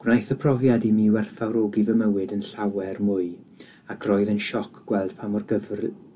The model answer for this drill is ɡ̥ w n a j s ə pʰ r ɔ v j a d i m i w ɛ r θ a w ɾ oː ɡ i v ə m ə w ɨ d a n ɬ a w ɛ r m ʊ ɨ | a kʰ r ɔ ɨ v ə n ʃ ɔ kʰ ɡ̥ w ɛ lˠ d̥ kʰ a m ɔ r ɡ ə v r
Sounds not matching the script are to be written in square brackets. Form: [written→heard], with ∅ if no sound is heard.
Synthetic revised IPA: ɡ̥ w n a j [s→θ] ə pʰ r ɔ v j a d i m i w ɛ r θ a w ɾ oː ɡ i v ə m ə w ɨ d [a→ə] n ɬ a w ɛ r m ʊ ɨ | a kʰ r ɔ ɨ [v→ð] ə n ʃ ɔ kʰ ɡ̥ w ɛ lˠ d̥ [kʰ→pʰ] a m ɔ r ɡ ə v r